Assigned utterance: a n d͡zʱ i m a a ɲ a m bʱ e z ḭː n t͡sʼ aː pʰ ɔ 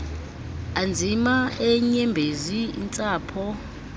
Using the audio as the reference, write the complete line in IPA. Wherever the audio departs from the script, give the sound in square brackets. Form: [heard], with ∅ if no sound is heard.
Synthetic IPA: a n d͡zʱ i m a [ɛ] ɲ [ɛ] m bʱ e z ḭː n t͡sʼ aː pʰ ɔ